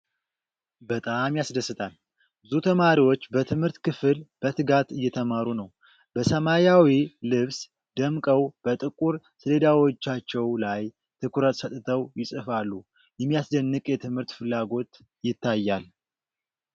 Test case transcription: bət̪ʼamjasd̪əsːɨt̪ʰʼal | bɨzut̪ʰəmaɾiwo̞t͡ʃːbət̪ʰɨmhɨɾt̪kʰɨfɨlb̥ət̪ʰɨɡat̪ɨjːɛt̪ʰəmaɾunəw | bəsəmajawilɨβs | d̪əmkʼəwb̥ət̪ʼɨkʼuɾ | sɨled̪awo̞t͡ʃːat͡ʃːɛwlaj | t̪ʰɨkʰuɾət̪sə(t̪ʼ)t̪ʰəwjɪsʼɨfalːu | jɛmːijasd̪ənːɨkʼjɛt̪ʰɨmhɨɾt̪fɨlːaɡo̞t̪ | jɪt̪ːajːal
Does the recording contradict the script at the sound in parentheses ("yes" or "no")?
no